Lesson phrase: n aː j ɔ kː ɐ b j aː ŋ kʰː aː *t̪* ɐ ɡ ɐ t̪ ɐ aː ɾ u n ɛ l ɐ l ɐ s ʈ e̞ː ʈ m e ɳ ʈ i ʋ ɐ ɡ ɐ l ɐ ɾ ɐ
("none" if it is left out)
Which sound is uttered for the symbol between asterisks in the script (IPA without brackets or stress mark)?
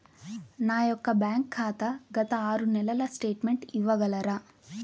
t̪